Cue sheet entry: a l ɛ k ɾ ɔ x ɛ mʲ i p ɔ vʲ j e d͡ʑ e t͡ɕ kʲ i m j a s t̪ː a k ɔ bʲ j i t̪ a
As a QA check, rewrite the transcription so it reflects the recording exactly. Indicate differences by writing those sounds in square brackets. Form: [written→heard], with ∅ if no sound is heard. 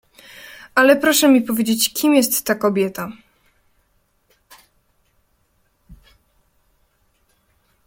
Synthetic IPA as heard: a l ɛ [k→p] ɾ ɔ [x→ʂ] ɛ mʲ i p ɔ vʲ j e d͡ʑ e t͡ɕ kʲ i m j [a→ɛ] s t̪ː a k ɔ bʲ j [i→ɛ] t̪ a